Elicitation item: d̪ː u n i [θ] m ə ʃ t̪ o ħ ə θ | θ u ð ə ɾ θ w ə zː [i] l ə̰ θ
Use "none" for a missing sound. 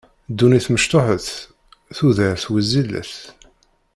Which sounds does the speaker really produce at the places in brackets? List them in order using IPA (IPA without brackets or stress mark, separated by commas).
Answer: θ, i